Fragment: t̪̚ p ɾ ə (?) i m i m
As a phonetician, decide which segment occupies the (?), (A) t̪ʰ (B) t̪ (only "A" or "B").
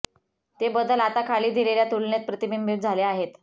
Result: B